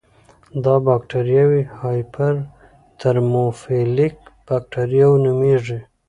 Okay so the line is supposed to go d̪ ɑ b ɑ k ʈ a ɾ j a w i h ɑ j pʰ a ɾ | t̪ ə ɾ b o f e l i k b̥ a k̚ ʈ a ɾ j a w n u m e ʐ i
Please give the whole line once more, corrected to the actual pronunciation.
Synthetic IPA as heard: d̪ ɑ b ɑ k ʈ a ɾ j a w i h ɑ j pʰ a ɾ | t̪ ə ɾ m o f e l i k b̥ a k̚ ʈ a ɾ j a w n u m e ʐ i